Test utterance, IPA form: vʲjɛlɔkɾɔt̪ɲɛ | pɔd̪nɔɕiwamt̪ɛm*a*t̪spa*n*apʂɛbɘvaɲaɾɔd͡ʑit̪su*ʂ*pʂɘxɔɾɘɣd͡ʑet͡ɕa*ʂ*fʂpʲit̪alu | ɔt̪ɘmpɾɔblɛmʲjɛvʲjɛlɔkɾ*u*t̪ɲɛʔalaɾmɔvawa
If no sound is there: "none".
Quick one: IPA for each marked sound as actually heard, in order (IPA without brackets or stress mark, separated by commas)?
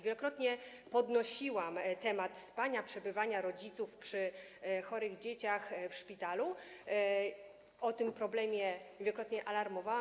a, ɲ, f, x, ɔ